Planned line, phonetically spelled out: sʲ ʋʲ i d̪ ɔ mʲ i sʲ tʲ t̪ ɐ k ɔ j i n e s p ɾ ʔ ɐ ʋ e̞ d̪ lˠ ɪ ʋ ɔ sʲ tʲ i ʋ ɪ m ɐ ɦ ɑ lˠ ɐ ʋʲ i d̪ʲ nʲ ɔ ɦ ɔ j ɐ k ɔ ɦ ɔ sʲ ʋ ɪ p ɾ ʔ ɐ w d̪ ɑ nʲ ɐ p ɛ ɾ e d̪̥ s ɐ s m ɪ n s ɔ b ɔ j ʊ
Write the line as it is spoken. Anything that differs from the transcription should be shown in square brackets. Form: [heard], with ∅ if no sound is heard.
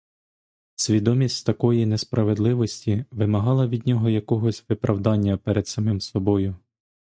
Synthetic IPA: sʲ ʋʲ i d̪ ɔ mʲ i sʲ tʲ t̪ ɐ k ɔ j i n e s p ɾ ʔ ɐ ʋ e̞ d̪ lˠ ɪ ʋ ɔ sʲ tʲ i ʋ ɪ m ɐ ɦ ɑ lˠ ɐ ʋʲ i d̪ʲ nʲ ɔ ɦ ɔ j ɐ k ɔ ɦ ɔ sʲ ʋ ɪ p ɾ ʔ ɐ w d̪ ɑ [nʲː] ɐ p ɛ ɾ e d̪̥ s ɐ [∅] m ɪ [m] s ɔ b ɔ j ʊ